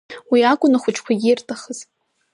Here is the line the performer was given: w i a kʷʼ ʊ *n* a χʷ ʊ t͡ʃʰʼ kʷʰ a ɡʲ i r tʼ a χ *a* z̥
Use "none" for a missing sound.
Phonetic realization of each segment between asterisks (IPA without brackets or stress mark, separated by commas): n, ə